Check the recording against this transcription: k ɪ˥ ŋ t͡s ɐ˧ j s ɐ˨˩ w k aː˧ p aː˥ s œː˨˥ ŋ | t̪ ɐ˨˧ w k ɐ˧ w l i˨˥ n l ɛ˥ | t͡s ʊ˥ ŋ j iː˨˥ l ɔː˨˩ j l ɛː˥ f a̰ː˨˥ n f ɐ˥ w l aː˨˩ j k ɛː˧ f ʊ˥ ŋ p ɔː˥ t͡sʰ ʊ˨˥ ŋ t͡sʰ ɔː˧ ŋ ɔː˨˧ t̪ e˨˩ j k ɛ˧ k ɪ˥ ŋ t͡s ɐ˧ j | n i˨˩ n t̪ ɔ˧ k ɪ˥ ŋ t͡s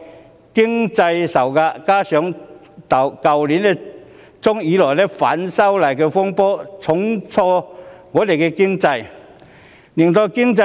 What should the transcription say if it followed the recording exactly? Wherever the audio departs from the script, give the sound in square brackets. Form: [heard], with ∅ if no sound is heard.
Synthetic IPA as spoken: k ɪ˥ ŋ t͡s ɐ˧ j s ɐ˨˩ w k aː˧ [k] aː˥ s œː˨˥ ŋ | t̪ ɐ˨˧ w k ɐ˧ w l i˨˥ n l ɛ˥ | t͡s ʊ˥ ŋ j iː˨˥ l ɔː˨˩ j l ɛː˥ f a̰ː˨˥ n [s] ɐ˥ w l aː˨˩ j k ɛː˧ f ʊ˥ ŋ p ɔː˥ t͡sʰ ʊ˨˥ ŋ t͡sʰ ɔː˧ ŋ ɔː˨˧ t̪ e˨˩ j k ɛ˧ k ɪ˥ ŋ t͡s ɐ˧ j | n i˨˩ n t̪ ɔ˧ k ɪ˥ ŋ t͡s